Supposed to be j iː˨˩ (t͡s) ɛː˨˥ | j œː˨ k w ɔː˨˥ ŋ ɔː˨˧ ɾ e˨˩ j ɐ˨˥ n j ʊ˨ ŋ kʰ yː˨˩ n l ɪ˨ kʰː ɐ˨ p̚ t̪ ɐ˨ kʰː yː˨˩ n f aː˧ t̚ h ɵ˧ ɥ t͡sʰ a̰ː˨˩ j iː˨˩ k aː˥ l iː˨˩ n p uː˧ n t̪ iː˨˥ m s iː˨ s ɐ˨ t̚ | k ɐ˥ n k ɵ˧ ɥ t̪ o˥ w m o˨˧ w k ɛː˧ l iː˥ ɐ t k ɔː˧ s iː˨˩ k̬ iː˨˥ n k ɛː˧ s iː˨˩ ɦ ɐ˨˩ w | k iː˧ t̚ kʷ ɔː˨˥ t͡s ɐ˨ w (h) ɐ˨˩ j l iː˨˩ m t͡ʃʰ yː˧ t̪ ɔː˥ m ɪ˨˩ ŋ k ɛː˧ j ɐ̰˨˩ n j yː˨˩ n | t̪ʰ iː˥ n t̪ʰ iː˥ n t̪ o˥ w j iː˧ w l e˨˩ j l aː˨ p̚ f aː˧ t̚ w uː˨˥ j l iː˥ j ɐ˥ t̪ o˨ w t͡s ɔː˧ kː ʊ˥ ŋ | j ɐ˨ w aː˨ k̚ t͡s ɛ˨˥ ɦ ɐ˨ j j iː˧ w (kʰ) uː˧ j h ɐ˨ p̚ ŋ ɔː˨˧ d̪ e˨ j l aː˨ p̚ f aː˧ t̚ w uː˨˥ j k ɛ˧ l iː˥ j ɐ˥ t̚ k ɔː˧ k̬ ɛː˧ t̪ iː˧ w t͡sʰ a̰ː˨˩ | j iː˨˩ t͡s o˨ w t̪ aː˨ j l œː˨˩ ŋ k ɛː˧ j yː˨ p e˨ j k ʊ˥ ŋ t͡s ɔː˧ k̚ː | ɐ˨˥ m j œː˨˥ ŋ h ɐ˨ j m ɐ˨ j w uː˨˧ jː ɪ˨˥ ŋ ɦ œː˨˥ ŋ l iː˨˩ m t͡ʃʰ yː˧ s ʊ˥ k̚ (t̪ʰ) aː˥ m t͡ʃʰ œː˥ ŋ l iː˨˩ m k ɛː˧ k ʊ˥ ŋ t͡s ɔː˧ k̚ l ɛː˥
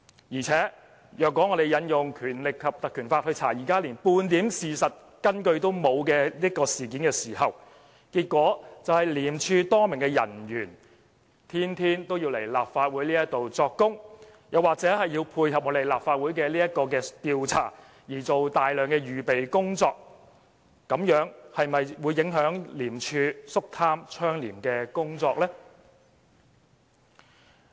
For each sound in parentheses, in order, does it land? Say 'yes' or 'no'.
no, yes, no, yes

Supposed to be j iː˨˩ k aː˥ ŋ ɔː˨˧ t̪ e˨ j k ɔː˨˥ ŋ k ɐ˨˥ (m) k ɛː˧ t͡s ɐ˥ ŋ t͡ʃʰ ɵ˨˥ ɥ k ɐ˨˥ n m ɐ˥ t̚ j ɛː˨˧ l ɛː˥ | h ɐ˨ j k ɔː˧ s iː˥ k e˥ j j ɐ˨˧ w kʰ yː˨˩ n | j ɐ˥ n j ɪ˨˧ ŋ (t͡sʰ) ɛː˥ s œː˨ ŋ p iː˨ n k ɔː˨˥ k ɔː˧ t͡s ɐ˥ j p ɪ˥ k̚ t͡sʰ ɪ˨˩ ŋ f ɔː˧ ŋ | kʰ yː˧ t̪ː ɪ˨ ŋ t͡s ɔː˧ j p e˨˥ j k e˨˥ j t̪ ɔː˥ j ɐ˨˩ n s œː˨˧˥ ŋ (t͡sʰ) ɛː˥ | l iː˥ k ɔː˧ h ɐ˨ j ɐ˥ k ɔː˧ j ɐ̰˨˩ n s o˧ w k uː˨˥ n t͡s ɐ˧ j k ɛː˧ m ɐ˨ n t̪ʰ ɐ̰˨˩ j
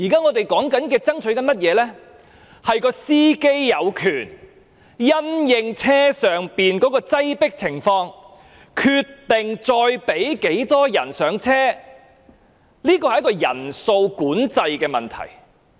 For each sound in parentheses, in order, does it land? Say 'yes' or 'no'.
no, yes, yes

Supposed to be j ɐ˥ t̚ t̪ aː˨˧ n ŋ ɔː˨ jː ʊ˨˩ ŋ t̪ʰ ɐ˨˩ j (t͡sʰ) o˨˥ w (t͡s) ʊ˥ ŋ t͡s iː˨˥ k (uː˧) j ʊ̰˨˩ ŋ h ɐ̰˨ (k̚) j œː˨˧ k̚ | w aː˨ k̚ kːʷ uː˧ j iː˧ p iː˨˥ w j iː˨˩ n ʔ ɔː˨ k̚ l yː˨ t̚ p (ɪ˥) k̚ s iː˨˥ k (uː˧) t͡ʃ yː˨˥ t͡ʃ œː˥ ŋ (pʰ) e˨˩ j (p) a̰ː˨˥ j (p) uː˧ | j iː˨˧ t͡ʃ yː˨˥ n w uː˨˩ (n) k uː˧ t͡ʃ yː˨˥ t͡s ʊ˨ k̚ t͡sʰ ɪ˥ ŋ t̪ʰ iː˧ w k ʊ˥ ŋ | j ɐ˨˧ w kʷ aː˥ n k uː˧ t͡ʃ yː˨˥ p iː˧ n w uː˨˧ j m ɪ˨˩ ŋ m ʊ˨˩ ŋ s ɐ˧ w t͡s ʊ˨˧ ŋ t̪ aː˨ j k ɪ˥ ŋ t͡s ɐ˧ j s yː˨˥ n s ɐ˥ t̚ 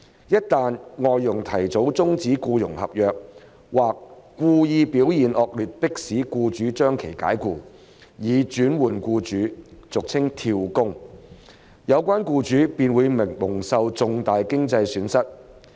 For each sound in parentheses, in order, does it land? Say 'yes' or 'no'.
no, yes, yes, no, yes, yes, no, no, no, yes

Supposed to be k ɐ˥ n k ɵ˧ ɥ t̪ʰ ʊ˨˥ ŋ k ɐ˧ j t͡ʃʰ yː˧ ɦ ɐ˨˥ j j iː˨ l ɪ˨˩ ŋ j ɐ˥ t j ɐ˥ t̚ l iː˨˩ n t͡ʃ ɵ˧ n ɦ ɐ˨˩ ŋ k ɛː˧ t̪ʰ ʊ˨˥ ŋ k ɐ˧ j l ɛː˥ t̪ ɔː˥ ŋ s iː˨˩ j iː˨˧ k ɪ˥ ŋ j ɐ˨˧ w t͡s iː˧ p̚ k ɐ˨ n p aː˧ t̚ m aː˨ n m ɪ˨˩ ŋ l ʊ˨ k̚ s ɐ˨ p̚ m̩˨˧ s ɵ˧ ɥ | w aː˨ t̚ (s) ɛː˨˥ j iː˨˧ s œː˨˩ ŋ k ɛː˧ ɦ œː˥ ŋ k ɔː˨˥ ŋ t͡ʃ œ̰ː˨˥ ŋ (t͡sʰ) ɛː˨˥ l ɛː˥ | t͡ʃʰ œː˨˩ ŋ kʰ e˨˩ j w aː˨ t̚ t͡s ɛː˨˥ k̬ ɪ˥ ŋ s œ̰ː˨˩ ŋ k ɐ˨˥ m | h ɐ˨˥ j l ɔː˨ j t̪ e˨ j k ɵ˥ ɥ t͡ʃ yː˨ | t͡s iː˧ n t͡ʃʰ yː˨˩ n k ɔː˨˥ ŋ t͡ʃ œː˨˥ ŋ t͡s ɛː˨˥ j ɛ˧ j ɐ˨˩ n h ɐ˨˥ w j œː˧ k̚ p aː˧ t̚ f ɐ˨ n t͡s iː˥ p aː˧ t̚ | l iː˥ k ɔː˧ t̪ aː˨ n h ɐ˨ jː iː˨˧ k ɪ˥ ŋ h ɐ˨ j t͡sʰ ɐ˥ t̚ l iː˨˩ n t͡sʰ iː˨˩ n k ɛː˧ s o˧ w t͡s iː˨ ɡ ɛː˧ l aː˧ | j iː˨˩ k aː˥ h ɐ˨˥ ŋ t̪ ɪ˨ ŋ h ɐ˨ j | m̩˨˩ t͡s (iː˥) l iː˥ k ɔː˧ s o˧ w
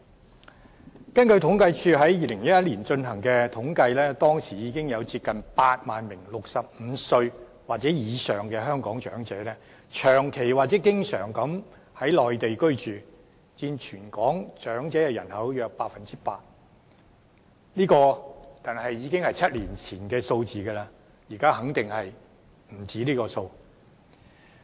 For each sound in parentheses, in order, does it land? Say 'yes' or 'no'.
no, no, no

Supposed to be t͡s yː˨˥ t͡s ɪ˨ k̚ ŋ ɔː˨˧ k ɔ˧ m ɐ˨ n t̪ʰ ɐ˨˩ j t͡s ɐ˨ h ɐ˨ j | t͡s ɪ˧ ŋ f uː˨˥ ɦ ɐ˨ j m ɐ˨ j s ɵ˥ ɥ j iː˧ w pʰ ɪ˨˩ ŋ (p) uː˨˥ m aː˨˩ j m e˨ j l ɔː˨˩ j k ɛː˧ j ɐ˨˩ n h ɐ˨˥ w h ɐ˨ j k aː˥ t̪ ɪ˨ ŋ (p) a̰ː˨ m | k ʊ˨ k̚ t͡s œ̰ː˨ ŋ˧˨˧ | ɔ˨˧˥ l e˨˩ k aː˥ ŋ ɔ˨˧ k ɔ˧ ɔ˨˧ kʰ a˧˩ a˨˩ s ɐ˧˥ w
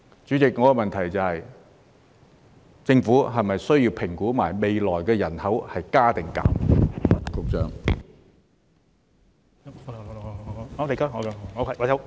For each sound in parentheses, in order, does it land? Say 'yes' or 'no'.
no, no

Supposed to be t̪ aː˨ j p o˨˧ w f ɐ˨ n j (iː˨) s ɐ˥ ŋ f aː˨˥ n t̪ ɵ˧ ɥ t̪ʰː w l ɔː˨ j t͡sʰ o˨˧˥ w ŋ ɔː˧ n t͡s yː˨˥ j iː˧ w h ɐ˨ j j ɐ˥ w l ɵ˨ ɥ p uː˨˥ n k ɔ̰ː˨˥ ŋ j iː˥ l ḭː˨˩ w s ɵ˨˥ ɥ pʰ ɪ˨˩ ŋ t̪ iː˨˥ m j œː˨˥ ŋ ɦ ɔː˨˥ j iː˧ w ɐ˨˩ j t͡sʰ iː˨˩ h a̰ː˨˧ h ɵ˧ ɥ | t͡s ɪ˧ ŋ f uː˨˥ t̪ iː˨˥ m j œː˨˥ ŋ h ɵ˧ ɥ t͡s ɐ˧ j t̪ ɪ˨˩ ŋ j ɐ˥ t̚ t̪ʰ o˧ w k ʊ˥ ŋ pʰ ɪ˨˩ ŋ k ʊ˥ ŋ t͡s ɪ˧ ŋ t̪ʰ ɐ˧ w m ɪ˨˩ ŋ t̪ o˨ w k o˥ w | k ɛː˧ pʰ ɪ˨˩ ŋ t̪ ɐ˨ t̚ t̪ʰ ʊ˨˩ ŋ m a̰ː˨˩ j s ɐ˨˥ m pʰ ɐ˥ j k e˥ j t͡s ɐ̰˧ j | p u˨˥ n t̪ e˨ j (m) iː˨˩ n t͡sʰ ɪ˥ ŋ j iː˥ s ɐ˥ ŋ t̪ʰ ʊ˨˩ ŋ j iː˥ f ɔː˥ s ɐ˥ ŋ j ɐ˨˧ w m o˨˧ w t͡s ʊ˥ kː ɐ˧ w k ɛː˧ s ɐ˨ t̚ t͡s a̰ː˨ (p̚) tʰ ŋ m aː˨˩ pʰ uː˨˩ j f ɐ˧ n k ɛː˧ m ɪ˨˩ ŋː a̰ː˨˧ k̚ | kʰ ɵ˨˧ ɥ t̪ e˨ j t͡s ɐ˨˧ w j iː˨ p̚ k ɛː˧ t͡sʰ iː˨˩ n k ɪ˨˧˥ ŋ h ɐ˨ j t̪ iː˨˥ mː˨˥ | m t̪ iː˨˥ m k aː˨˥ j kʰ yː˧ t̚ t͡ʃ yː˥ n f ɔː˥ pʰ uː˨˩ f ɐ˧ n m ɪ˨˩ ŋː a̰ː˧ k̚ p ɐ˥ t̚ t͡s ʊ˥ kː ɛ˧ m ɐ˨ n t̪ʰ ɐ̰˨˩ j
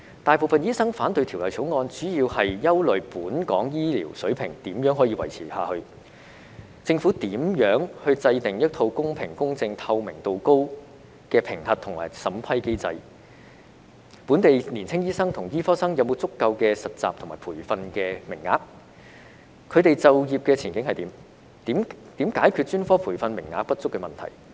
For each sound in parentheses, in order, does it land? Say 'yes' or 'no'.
no, no, yes

